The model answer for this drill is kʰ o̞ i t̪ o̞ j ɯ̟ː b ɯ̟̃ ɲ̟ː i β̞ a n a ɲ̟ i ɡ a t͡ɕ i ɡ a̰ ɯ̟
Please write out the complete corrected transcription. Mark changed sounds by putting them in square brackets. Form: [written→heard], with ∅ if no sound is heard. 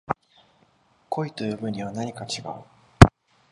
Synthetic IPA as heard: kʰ o̞ i t̪ o̞ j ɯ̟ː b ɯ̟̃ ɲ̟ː i β̞ a n a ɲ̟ i [ɡ→k] a t͡ɕ i ɡ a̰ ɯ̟